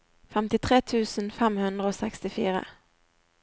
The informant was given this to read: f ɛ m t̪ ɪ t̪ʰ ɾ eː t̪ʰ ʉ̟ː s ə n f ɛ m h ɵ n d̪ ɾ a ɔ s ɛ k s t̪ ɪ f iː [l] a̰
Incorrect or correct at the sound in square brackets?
incorrect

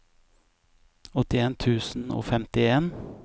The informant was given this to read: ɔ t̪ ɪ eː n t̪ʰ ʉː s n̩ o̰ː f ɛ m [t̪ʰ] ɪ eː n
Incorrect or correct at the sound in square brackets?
incorrect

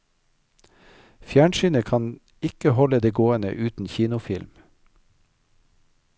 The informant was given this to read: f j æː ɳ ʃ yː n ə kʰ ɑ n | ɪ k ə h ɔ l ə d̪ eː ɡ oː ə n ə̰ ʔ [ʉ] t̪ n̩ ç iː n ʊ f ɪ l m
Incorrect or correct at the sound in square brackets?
incorrect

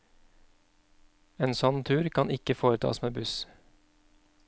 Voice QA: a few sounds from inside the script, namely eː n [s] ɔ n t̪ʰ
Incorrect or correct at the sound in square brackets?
correct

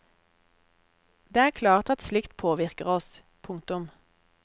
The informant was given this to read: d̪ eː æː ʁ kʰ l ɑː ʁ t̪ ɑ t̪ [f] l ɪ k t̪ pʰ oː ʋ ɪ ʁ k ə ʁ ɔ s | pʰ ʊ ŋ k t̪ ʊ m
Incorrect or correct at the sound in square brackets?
incorrect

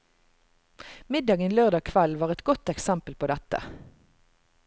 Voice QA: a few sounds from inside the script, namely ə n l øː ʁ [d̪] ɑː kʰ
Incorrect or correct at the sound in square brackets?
correct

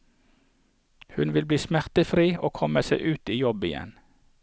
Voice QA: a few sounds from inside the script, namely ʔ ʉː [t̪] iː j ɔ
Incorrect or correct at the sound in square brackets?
correct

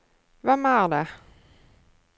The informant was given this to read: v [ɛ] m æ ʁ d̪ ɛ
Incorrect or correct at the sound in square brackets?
correct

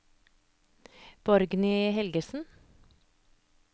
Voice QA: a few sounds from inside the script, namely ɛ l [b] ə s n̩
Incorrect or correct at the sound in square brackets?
incorrect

